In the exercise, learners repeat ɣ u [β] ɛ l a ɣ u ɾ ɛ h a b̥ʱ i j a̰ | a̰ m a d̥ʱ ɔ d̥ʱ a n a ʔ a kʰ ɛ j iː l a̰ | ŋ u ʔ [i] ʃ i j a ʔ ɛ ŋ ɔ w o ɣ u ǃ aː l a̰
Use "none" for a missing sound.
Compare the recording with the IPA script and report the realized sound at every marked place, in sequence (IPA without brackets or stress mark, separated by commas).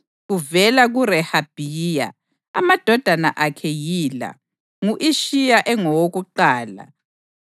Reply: v, i